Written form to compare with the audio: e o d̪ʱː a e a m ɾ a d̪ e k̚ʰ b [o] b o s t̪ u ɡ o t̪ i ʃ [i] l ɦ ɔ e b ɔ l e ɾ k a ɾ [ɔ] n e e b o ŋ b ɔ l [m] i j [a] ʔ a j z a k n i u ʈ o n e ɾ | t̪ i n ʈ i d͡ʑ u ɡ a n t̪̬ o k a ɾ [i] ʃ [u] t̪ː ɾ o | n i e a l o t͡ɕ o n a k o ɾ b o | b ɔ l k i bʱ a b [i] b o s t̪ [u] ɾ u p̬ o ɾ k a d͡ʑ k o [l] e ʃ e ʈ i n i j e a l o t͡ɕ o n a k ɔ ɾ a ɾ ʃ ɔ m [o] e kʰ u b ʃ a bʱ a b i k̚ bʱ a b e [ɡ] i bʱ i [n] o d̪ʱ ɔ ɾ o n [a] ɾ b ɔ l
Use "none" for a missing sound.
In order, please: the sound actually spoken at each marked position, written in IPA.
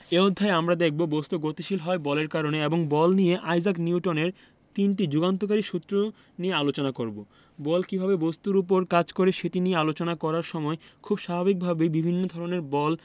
o, i, o, n, e, i, u, e, u, ɾ, ɔ, b, nː, e

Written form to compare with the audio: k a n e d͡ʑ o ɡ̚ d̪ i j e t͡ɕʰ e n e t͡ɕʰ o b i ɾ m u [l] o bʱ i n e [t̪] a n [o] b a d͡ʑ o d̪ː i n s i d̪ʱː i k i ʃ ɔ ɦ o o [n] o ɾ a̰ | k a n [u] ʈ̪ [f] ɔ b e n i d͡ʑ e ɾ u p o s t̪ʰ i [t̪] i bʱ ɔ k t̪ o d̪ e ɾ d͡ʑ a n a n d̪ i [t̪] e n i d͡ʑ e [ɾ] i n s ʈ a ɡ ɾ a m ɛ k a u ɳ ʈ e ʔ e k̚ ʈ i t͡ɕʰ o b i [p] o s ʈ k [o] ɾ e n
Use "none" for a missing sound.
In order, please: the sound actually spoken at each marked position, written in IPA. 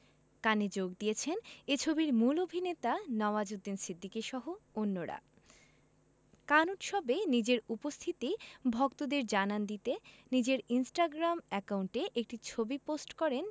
l, t̪, ɔ, nː, u, ʃ, t̪, t̪, ɾ, p, ɔ

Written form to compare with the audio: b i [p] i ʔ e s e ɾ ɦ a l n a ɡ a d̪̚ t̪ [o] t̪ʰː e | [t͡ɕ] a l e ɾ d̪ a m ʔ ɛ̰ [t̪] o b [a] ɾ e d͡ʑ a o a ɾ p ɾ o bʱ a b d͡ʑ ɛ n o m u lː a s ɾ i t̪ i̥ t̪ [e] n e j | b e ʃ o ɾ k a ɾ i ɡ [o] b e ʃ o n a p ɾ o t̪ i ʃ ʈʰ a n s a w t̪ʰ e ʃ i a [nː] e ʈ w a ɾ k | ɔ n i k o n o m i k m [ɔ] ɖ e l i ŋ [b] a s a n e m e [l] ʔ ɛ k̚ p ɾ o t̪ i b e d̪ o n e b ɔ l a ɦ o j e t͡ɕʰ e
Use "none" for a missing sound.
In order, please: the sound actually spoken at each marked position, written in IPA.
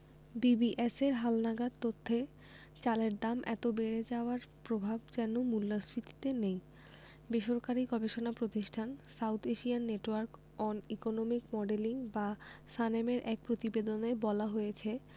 b, o, t͡ɕ, t̪, e, e, ɔ, nː, ɔ, b, ɾ

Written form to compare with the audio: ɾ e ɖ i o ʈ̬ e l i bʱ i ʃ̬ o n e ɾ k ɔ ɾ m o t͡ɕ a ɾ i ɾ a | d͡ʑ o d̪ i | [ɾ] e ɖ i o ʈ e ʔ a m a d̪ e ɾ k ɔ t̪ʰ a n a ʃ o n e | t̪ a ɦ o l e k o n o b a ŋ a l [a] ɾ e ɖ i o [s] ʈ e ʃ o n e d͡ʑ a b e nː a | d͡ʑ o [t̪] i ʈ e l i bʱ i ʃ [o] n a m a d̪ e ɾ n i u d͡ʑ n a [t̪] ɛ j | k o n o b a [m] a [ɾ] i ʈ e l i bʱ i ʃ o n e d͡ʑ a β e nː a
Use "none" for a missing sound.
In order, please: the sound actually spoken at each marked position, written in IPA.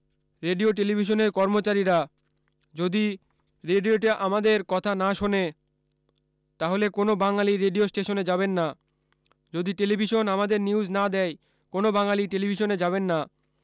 ɾ, i, s, d̪, o, d̪, ŋ, l

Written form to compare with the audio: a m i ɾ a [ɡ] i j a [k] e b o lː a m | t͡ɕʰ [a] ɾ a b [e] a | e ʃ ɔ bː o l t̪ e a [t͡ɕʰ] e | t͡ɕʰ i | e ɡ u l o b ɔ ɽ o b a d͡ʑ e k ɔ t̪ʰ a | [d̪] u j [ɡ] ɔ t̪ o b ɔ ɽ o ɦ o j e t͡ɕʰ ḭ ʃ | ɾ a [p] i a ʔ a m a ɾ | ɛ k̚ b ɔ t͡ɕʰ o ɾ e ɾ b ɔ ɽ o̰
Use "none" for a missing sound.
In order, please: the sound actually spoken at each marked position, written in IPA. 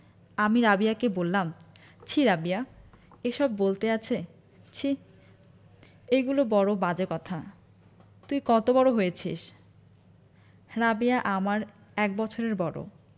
b, k, i, i, t͡ɕʰ, t̪, k, b

